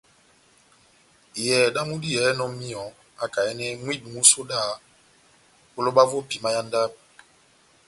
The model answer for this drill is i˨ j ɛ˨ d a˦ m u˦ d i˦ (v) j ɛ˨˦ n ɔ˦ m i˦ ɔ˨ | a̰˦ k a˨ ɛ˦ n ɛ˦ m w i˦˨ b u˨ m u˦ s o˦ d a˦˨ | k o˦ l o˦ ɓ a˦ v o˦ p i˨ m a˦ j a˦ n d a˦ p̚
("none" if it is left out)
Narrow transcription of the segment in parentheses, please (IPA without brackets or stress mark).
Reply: none